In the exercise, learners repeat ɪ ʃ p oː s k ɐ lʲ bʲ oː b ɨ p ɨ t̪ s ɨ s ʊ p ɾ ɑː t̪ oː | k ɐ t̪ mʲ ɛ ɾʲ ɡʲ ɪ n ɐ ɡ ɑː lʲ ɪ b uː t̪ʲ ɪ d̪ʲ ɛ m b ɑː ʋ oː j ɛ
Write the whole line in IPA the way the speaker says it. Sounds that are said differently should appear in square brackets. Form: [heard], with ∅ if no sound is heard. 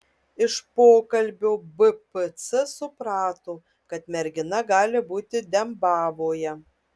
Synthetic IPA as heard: ɪ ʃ p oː [∅] k ɐ lʲ bʲ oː b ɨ p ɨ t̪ s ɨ s ʊ p ɾ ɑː t̪ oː | k ɐ t̪ mʲ ɛ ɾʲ ɡʲ ɪ n ɐ ɡ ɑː lʲ ɪ b uː t̪ʲ ɪ d̪ʲ ɛ m b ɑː ʋ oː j ɛ